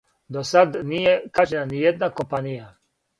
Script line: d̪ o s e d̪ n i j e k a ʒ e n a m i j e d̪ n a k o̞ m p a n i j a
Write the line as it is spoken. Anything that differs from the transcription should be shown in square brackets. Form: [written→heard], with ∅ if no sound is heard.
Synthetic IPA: d̪ o s [e→a] d̪ n i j e k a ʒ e n a [m→n] i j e d̪ n a k o̞ m p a n i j a